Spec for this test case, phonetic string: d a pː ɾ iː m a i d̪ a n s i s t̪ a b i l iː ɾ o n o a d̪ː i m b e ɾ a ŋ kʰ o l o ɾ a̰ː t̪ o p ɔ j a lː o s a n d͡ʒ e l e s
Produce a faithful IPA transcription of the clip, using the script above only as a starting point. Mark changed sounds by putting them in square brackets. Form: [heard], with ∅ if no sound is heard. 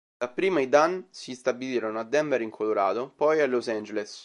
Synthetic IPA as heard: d a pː ɾ iː m a i d̪ a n s i s t̪ a b i l iː ɾ o n o a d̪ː [ɛ] m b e ɾ [i] ŋ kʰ o l o ɾ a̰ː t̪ o p ɔ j a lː o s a n d͡ʒ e l e s

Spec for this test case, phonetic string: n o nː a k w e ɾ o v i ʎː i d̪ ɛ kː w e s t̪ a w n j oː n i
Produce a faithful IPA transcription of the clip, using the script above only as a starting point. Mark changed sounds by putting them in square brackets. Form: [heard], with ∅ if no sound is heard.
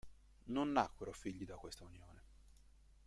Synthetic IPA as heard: n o nː a k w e ɾ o [f] i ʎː i d̪ [a] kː w e s t̪ a [u] n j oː n [e]

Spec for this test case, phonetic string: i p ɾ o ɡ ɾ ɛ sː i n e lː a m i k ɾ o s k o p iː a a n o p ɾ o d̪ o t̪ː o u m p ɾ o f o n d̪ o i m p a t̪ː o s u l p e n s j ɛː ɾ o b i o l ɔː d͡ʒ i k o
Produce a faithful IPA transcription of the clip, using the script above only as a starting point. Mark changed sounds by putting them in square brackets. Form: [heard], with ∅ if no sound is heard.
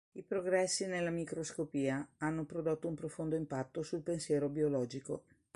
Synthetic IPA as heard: i p ɾ o ɡ ɾ ɛ sː i n e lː a m i k ɾ o s k o p iː a a [nː] o p ɾ o d̪ o t̪ː o u m p ɾ o f o n d̪ o i m p a t̪ː o s u l p e n s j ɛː ɾ o b i o l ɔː d͡ʒ i k o

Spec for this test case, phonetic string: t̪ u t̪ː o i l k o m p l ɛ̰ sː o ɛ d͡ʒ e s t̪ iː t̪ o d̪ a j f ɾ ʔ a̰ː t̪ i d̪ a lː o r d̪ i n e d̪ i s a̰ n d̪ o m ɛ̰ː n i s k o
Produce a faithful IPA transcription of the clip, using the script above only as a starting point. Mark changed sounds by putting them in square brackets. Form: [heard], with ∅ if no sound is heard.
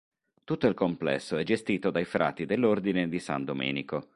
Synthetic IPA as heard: t̪ u t̪ː o i l k o m p l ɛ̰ sː o ɛ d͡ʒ e s t̪ iː t̪ o d̪ a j f ɾ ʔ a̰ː t̪ i d̪ [e] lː o r d̪ i n e d̪ i s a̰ n d̪ o m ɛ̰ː n i [∅] k o

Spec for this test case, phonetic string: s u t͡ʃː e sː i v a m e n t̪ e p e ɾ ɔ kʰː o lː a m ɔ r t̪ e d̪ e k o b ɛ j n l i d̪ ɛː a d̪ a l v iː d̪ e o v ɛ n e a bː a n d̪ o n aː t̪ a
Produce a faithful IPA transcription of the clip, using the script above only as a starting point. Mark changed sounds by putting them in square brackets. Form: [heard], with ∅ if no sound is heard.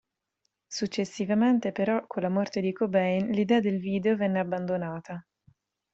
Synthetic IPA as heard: s u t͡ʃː e sː i v a m e n t̪ e p e ɾ ɔ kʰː o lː a m ɔ r t̪ e d̪ [i] k o b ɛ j n l i d̪ ɛː a d̪ [e] l v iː d̪ e o v ɛ [nː] e a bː a n d̪ o n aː t̪ a

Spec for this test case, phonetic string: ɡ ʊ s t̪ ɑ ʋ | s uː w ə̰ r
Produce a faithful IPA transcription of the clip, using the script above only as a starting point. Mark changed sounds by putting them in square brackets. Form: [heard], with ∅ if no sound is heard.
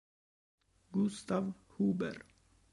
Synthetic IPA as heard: ɡ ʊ s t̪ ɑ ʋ | [h] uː [b] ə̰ [ɾ]

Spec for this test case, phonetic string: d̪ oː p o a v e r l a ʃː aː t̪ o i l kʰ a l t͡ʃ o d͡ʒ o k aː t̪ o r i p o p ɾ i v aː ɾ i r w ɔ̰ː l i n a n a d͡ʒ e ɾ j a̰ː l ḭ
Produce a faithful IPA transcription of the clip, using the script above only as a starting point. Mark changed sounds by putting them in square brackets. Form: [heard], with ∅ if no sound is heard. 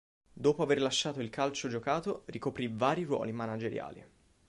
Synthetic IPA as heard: d̪ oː p o a v e r l a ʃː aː t̪ o i l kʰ a l t͡ʃ o d͡ʒ o k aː t̪ o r i [k] o p ɾ i v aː ɾ i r w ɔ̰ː l i [m] a n a d͡ʒ e ɾ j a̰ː l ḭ

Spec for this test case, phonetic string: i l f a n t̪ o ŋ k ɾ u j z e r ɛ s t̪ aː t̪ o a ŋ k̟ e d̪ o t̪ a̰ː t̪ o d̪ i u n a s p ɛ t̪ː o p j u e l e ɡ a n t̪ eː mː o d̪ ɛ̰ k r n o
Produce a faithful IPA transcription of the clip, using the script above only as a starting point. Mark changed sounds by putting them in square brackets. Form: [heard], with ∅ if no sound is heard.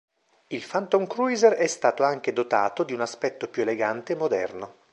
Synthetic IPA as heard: i l f a n t̪ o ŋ k ɾ u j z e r ɛ s t̪ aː t̪ o a ŋ k̟ e d̪ o t̪ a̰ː t̪ o d̪ i u n a s p ɛ t̪ː o p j u e l e ɡ a n t̪ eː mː o d̪ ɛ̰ [∅] r n o

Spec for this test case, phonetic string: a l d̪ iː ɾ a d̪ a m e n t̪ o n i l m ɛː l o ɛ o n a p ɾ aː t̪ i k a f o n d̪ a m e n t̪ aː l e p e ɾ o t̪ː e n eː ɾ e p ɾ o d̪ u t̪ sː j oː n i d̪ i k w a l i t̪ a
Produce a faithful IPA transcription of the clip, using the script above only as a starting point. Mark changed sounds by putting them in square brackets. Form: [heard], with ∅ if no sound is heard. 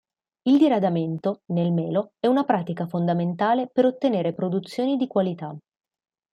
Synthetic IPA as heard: [i] l d̪ [i] ɾ a d̪ a m e n t̪ o n [e] l m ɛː l o ɛ [u] n a p ɾ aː t̪ i k a f o n d̪ a m e n t̪ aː l e p e ɾ o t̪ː e n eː ɾ e p ɾ o d̪ u t̪ sː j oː n i d̪ i k w a l i t̪ a

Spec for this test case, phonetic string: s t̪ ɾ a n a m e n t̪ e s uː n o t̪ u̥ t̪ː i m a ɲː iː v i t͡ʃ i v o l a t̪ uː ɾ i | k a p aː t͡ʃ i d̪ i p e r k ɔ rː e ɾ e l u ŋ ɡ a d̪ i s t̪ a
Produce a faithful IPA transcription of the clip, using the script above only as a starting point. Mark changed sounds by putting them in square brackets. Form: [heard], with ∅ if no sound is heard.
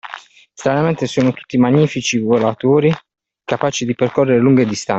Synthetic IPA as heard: s t̪ ɾ a n a m e n t̪ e s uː n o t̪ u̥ t̪ː i m a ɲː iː [f] i t͡ʃ i v o l a t̪ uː ɾ i | k a p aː t͡ʃ i d̪ i p e r k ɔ rː e ɾ e l u ŋ ɡ [e] d̪ i s t̪ a

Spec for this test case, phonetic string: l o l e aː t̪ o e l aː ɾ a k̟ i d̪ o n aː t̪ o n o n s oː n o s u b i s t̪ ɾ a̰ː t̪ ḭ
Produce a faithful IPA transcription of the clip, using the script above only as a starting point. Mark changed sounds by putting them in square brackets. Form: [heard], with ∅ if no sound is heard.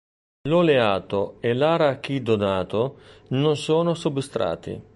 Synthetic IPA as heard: l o l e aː t̪ o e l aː ɾ a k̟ i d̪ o n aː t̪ o n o n s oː n o s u b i s t̪ ɾ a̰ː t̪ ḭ

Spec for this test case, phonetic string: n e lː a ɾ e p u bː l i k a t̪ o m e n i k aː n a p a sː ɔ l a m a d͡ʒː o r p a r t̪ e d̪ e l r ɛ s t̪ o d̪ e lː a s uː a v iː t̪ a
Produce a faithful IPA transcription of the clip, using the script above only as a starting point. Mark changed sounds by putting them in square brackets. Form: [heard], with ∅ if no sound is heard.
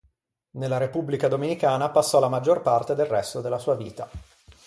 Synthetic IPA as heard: n e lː a ɾ e p u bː l i k a [d̪] o m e n i k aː n a p a sː ɔ l a m a d͡ʒː o r p a r t̪ e d̪ e l r ɛ s t̪ o d̪ e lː a s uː a v iː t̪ a

